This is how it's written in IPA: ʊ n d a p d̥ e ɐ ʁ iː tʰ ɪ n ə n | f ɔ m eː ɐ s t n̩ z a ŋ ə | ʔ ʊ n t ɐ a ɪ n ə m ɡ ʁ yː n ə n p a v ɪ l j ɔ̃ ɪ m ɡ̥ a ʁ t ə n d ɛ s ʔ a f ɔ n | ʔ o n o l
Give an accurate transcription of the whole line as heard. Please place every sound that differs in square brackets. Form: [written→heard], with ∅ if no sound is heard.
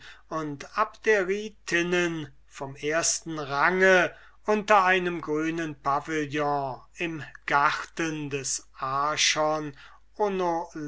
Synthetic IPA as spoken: ʊ n [d→t] a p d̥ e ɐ ʁ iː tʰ ɪ n ə n | f ɔ m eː ɐ s t n̩ [z→ʁ] a ŋ ə | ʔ ʊ n t ɐ a ɪ n ə m ɡ ʁ yː n ə n p a v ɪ l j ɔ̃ ɪ m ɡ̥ a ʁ t ə n d ɛ s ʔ a [f→ʃ] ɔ n | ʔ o n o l